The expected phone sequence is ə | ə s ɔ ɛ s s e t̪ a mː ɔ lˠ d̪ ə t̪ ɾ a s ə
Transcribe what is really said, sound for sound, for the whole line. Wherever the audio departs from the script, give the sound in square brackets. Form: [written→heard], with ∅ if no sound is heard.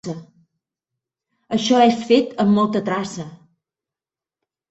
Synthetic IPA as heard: ə | ə [s→ʃ] ɔ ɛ s [s→f] e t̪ [a→ə] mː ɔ lˠ [d̪→t̪] ə t̪ ɾ a s ə